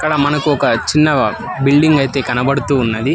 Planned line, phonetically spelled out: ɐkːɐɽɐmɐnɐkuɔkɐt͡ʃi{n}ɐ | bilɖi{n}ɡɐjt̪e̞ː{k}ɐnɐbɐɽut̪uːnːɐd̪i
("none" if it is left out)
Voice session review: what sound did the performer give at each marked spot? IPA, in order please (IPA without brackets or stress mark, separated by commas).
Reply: nː, ŋ, k